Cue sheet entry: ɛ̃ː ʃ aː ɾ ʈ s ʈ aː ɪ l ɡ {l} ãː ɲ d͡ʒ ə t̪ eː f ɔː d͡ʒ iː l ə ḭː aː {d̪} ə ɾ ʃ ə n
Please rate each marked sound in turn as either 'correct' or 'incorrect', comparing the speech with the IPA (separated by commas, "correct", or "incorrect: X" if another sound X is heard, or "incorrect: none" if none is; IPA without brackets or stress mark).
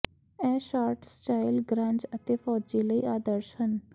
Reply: incorrect: ɾ, correct